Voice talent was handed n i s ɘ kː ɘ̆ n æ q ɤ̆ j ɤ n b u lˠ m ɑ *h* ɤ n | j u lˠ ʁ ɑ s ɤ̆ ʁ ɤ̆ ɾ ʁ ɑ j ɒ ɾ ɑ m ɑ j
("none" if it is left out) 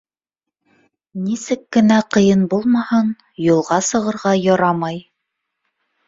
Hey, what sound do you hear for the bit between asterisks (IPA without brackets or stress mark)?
h